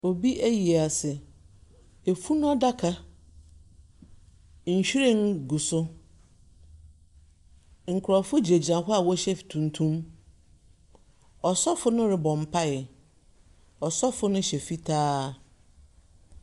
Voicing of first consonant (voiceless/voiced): voiced